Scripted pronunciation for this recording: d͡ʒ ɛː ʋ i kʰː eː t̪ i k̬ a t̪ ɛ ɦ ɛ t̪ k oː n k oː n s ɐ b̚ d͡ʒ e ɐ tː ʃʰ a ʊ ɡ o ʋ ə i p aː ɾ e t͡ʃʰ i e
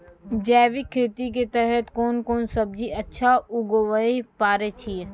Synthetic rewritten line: d͡ʒ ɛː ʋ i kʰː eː t̪ i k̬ e t̪ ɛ ɦ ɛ t̪ k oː n k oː n s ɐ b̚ d͡ʒ i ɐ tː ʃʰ a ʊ ɡ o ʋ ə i p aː ɾ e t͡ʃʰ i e